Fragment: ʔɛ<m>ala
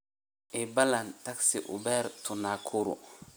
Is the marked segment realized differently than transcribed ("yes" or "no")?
yes